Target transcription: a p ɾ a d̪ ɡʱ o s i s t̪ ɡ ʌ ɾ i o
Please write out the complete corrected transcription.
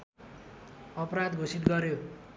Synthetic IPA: ʌ p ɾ a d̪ ɡʱ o s i t̪ ɡ ʌ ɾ j o